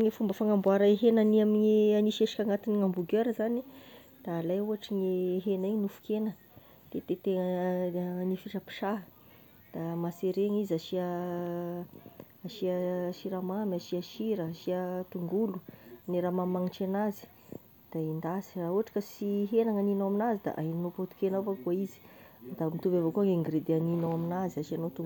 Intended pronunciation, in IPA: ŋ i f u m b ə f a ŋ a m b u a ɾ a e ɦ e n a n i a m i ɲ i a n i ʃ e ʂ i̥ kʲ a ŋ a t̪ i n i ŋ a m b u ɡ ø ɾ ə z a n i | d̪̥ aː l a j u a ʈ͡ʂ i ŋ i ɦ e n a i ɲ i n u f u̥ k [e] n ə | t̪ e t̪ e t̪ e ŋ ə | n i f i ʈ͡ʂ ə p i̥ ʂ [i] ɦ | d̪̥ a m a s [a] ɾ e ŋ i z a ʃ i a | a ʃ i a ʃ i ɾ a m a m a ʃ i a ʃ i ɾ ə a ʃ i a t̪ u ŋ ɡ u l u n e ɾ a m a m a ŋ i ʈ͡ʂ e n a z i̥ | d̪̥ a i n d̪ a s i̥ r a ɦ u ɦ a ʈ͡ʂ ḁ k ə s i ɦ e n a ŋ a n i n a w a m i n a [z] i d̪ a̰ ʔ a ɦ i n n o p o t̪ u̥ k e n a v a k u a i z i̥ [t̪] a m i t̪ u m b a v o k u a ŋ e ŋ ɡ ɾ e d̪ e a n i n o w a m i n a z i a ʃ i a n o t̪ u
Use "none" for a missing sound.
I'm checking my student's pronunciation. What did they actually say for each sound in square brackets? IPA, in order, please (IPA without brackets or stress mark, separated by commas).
e, a, e, z, d̪